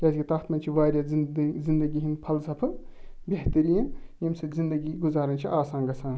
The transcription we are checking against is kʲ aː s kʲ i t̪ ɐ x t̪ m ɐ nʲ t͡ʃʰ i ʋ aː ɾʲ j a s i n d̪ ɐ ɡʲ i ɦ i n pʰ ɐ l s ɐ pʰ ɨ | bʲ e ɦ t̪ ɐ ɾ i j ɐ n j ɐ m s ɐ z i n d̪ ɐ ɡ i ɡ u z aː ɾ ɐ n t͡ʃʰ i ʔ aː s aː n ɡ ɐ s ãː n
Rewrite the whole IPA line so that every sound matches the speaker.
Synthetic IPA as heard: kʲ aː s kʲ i t̪ ɐ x t̪ m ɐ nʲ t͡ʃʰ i ʋ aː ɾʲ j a z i n d̪ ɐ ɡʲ i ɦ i n pʰ ɐ l s ɐ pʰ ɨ | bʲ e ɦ t̪ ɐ ɾ i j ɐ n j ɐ m s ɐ z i n d̪ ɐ ɡ i ɡ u z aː ɾ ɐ n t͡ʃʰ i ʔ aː s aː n ɡ ɐ s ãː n